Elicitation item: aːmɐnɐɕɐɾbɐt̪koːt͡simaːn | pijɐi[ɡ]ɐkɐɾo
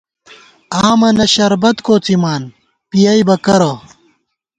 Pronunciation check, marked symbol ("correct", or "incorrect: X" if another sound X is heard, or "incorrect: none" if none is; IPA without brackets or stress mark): incorrect: b